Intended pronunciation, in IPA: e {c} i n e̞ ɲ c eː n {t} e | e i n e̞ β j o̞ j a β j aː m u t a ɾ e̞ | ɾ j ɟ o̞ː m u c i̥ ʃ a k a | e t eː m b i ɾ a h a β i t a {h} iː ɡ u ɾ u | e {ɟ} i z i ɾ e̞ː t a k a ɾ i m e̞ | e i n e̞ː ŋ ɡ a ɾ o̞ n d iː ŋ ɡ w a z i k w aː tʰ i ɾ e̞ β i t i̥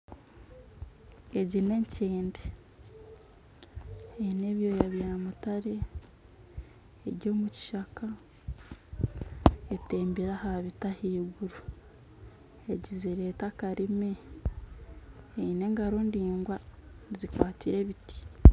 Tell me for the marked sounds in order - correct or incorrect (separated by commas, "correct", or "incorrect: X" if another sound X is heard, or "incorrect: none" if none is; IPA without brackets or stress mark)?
incorrect: ɟ, incorrect: d, correct, correct